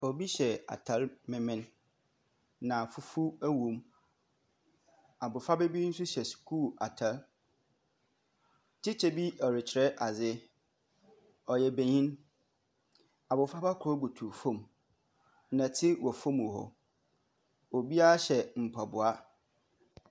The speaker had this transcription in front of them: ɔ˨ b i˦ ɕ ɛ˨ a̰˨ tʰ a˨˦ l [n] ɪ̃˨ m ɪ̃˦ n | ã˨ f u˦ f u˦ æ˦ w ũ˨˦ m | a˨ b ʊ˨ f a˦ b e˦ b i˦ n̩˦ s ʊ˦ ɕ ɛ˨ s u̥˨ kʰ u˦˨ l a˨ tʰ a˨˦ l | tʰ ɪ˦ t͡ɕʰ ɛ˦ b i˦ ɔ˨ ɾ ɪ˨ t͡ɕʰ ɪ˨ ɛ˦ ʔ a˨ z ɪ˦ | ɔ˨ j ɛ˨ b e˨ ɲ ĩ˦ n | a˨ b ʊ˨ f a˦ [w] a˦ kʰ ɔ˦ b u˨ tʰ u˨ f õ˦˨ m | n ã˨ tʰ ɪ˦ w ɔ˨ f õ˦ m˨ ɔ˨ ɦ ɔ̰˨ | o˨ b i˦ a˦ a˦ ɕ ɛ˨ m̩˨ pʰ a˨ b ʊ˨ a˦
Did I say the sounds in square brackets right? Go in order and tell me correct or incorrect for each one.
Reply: incorrect: m, incorrect: b

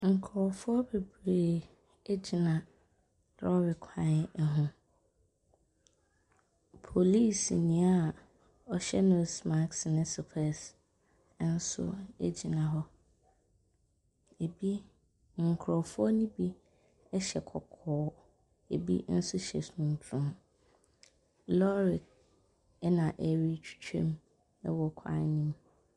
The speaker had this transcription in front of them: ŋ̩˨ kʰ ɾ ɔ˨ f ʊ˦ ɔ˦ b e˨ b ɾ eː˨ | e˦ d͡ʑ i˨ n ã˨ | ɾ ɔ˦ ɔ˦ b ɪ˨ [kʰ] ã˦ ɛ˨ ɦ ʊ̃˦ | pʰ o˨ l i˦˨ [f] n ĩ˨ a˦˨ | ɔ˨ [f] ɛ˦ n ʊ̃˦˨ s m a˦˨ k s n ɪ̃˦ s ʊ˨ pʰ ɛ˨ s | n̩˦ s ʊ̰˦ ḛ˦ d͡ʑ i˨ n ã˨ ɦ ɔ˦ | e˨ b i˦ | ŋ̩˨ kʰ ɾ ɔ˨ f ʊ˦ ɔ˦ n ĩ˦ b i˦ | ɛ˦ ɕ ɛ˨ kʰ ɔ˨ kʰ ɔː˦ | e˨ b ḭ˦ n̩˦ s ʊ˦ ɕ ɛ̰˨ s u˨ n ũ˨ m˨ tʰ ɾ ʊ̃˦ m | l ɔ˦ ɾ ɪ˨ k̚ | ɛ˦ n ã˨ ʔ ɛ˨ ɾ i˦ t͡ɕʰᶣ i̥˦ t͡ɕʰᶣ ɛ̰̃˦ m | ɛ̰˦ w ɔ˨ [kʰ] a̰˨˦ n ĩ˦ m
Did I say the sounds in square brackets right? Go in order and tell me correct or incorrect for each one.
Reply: correct, incorrect: s, incorrect: ɕ, correct

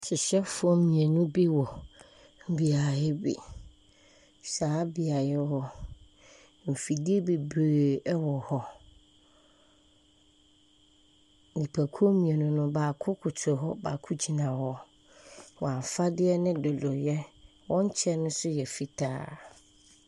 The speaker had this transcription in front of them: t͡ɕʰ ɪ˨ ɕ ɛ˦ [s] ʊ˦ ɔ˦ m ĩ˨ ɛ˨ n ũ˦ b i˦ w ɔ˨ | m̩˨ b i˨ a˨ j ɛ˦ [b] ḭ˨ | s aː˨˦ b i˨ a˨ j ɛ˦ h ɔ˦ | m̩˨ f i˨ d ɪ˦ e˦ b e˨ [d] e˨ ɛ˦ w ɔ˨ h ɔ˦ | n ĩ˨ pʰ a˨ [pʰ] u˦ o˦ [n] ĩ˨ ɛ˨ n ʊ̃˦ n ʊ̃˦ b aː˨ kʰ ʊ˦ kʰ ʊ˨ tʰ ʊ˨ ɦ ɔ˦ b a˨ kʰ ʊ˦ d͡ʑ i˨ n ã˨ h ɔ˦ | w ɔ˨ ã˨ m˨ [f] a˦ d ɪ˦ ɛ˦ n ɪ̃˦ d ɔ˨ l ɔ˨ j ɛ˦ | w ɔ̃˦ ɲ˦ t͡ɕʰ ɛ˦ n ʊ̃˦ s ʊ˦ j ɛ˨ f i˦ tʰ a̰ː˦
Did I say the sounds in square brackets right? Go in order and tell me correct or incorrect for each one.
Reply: incorrect: f, correct, incorrect: b, incorrect: kʰ, incorrect: m, correct

